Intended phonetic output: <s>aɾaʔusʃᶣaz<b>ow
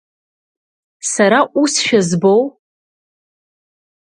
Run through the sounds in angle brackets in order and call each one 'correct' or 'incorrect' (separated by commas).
correct, correct